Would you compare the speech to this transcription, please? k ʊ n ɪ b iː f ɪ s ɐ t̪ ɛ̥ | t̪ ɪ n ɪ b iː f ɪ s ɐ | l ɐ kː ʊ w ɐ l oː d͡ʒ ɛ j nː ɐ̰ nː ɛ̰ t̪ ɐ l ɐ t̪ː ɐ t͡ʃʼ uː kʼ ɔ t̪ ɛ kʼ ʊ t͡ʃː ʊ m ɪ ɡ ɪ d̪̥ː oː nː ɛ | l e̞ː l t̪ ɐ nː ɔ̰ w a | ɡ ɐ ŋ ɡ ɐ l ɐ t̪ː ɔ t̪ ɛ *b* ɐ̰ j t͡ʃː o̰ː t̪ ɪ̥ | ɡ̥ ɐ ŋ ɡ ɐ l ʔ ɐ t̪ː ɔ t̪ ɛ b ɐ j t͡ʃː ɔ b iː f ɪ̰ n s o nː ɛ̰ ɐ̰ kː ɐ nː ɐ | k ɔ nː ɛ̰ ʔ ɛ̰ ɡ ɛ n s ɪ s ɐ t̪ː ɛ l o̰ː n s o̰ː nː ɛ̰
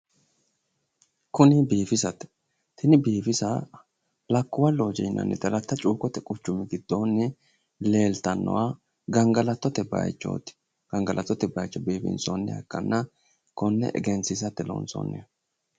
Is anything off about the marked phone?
no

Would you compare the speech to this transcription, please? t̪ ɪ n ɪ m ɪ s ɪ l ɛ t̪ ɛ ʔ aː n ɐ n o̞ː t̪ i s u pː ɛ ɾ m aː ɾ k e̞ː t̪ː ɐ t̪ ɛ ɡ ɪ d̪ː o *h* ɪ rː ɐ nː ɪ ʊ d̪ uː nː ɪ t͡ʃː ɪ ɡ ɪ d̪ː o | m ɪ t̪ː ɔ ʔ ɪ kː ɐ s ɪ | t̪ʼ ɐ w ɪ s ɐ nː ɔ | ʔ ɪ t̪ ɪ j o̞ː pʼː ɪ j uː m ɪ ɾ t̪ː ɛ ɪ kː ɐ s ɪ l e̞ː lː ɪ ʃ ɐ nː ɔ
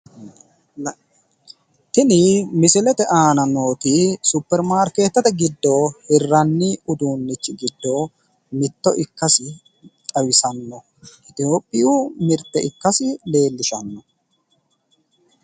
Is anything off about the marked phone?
no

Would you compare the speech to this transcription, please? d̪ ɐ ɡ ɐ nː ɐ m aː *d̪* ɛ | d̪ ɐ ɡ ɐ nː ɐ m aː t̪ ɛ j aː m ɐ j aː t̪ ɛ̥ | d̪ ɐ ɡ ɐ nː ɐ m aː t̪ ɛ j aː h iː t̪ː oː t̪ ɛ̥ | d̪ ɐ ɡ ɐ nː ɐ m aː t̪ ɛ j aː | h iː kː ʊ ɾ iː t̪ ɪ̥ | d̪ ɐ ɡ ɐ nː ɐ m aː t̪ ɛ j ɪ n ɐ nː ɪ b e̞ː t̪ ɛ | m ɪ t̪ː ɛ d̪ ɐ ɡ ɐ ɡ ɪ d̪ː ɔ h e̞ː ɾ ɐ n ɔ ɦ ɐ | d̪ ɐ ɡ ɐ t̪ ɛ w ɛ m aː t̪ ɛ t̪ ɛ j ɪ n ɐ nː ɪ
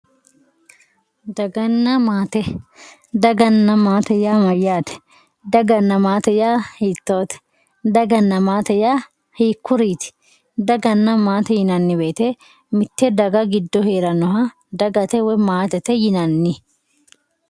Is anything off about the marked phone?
yes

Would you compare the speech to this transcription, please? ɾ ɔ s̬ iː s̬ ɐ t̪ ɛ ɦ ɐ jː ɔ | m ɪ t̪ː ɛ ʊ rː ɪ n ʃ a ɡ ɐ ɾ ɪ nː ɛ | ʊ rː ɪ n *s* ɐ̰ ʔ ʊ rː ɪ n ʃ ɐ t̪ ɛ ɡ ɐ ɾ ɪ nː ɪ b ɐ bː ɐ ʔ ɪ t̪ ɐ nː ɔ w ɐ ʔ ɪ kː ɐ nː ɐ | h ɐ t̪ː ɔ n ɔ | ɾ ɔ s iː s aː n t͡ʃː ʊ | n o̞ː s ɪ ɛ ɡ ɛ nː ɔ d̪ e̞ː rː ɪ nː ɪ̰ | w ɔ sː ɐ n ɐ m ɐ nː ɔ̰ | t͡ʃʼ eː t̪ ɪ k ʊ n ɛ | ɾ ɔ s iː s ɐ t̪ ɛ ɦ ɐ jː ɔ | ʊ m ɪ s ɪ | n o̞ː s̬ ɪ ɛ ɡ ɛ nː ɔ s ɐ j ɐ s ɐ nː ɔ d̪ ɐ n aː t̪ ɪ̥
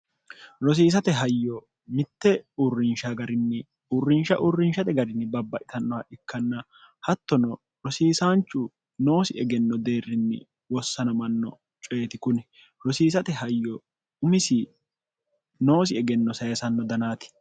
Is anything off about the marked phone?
yes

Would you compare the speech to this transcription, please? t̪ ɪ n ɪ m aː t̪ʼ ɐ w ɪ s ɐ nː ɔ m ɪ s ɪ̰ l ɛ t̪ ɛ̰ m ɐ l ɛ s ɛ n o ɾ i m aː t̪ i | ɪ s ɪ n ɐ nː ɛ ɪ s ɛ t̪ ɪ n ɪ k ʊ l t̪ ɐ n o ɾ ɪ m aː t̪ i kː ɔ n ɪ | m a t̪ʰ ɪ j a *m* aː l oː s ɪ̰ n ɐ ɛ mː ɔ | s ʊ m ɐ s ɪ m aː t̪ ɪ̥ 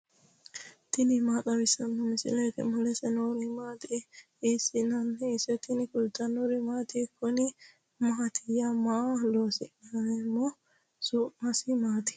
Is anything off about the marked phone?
no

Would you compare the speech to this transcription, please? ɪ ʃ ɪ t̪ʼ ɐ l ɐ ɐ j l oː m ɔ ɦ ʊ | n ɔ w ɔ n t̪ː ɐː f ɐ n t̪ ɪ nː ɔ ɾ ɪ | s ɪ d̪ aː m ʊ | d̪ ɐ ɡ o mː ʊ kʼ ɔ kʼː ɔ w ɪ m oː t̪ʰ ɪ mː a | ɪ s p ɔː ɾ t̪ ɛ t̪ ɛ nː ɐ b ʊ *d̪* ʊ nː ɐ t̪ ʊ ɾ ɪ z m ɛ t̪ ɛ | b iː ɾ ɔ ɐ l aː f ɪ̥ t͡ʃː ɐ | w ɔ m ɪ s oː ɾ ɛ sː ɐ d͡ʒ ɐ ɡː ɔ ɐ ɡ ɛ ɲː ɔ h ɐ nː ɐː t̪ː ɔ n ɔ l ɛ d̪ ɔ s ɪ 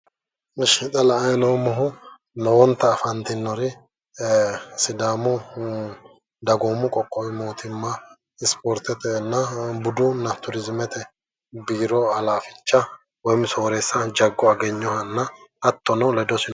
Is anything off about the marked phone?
no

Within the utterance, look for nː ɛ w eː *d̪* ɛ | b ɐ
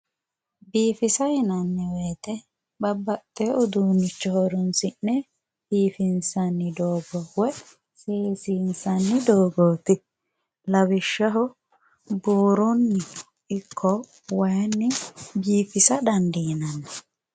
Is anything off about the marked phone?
yes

